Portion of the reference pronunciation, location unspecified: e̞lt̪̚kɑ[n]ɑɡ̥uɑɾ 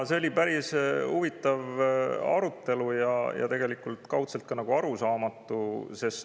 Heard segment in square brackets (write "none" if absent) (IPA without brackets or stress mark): n